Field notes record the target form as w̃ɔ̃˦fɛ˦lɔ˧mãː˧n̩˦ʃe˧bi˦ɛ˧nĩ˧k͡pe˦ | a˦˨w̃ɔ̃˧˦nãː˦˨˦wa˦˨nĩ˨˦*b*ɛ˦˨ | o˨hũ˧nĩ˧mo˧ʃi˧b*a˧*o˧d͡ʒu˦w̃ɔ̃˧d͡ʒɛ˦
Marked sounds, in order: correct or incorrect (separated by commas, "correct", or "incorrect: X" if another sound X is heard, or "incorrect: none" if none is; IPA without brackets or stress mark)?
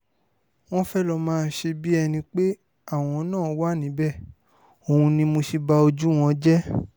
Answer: correct, correct